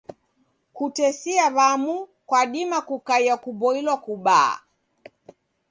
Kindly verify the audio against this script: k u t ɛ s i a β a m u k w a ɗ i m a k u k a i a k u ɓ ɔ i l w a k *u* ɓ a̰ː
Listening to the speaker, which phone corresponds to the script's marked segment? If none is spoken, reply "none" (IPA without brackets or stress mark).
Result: u